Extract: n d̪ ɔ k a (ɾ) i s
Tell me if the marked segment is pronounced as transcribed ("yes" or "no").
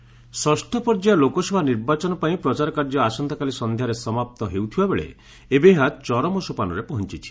no